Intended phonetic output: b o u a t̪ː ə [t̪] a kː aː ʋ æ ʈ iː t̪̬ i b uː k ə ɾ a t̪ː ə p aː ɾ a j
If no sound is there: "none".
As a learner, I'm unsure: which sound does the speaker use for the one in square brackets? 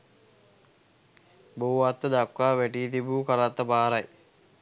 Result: d̪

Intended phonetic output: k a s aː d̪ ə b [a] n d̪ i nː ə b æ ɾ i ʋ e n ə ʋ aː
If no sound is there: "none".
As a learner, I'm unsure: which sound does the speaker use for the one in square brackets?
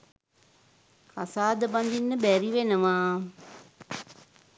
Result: a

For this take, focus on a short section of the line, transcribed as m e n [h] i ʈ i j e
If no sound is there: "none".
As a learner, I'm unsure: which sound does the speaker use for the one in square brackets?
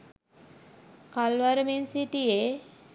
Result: s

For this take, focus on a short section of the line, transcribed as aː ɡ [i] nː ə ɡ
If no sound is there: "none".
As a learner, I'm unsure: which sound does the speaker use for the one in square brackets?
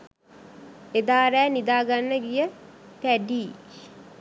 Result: a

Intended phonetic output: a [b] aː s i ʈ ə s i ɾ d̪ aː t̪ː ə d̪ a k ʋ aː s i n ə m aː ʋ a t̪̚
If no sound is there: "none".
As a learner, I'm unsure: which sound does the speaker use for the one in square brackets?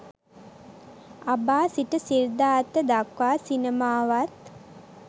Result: b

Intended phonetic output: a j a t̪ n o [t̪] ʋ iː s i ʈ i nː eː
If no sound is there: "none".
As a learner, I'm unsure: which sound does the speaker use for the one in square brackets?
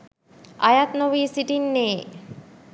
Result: none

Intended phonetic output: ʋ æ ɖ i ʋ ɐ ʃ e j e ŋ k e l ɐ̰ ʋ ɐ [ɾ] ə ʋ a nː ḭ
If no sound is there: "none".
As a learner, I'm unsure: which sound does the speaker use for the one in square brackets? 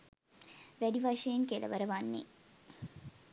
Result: ɾ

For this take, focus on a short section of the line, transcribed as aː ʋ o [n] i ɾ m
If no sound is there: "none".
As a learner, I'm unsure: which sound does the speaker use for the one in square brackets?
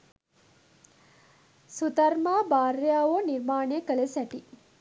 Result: n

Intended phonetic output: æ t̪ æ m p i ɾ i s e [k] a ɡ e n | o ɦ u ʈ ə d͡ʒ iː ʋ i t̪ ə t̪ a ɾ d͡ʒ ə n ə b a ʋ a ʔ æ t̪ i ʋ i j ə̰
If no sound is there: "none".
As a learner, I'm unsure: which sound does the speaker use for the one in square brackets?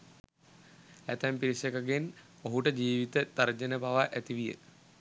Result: k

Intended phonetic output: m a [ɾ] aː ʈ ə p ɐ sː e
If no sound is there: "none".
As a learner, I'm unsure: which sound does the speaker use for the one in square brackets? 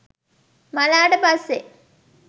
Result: l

